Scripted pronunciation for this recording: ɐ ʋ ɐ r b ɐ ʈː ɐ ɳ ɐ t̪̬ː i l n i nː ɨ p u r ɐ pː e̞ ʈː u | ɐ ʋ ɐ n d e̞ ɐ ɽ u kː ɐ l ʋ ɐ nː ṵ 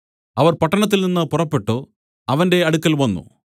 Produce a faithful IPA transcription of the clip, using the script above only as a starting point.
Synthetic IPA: ɐ ʋ ɐ r p ɐ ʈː ɐ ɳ ɐ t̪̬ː i l n i nː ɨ p u r ɐ pː e̞ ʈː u | ɐ ʋ ɐ n d e̞ ɐ ɽ u kː ɐ l ʋ ɐ nː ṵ